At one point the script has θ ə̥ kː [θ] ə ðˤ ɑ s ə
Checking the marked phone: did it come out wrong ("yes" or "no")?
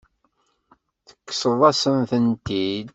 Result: yes